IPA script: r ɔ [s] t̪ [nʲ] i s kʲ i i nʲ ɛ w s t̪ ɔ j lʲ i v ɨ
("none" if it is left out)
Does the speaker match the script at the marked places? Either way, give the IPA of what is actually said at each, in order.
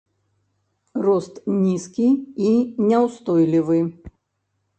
s, nʲ

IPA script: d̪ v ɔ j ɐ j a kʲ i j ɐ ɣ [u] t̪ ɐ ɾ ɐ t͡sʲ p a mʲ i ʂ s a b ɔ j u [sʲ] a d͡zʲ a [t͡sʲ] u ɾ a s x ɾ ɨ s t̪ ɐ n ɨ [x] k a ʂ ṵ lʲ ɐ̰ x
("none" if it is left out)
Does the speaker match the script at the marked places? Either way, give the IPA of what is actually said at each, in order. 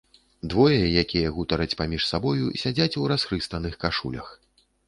u, sʲ, t͡sʲ, x

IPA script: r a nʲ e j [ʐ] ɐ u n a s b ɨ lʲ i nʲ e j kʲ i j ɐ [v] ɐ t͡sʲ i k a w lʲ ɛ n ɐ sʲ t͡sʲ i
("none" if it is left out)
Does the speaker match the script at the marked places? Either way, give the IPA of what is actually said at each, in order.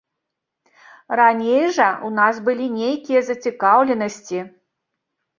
ʐ, z

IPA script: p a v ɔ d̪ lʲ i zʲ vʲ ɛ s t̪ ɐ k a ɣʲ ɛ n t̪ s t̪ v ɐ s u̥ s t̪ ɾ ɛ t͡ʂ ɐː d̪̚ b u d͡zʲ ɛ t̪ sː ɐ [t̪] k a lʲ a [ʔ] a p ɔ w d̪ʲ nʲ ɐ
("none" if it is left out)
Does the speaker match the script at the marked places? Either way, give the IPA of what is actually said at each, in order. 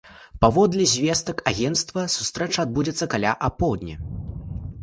none, ʔ

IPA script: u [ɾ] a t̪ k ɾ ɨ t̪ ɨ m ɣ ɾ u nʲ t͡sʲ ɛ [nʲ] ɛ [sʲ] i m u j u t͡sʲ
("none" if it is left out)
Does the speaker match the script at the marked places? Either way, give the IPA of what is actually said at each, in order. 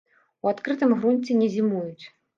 none, nʲ, zʲ

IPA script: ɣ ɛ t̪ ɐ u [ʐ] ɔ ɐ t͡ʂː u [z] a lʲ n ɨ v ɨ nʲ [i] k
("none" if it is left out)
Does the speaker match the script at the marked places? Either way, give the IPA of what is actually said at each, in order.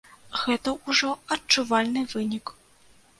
ʐ, v, i

